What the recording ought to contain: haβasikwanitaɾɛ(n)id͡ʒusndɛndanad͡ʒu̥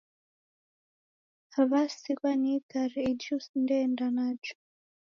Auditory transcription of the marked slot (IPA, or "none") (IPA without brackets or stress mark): none